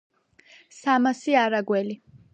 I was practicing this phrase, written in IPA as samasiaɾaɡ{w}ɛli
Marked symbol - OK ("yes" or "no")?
yes